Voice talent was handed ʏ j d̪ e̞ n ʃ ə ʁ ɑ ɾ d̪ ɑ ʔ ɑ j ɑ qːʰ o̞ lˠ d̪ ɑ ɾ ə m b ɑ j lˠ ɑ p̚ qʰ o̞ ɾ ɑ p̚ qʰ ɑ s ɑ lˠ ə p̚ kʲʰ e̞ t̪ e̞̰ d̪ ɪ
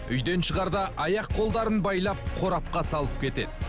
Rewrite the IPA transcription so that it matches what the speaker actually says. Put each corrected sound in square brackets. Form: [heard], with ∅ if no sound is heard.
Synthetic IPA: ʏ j d̪ e̞ n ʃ ə ʁ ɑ ɾ d̪ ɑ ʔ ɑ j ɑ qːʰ o̞ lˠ d̪ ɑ ɾ ə [n] b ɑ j lˠ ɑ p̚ qʰ o̞ ɾ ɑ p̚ [q] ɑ s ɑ lˠ ə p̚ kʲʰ e̞ t̪ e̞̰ d̪ ɪ